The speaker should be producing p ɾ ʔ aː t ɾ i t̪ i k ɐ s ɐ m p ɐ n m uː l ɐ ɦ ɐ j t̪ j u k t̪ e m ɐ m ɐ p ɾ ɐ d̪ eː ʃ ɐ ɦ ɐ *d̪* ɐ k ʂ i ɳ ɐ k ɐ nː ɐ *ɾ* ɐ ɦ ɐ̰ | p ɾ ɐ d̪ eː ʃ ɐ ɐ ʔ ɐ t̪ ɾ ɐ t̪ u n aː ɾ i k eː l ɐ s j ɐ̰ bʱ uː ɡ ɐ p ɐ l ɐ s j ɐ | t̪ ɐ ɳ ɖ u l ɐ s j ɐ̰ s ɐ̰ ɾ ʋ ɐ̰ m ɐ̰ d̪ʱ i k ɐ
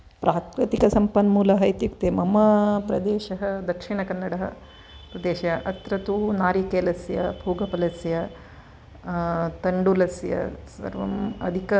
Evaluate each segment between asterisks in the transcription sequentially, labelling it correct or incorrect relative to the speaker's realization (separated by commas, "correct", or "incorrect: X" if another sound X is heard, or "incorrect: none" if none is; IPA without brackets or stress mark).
correct, incorrect: ɽ